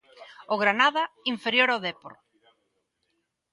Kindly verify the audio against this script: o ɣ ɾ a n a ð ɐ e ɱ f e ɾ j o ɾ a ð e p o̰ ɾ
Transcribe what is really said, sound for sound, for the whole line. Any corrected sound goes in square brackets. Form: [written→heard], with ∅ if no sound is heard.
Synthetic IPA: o ɣ ɾ a n a ð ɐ [e→i] ɱ f e ɾ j o ɾ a ð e p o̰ ɾ